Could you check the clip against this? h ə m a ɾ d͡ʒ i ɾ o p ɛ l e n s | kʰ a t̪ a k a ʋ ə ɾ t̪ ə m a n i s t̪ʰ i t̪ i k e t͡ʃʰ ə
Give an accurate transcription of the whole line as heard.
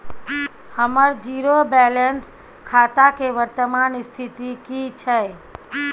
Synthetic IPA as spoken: h ə m ə ɾ d͡ʒ i ɾ o b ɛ l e n s | kʰ a t̪ a k e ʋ ə ɾ t̪ ə m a n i s t̪ʰ i t̪ i k i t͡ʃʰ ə